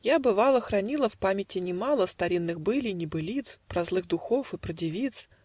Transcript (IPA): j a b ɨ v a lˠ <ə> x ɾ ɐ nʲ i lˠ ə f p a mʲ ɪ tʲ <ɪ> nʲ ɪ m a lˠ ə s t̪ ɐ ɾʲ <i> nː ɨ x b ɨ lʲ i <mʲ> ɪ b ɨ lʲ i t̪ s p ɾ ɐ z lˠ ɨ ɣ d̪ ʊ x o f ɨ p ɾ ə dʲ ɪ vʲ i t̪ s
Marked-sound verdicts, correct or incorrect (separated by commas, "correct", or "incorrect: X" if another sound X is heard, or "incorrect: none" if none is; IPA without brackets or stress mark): correct, correct, correct, incorrect: nʲ